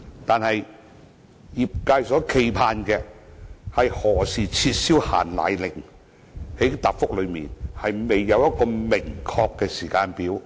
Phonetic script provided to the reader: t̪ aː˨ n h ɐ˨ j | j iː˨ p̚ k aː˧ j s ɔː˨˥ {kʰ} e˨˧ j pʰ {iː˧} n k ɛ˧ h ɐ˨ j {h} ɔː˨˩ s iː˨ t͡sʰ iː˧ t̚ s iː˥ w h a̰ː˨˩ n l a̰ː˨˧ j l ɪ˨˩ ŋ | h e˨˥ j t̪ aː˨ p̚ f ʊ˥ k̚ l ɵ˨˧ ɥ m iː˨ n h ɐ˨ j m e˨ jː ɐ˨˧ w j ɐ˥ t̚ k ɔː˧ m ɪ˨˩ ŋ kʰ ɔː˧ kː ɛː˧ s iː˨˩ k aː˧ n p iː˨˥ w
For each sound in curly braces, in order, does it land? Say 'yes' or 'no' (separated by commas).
yes, no, yes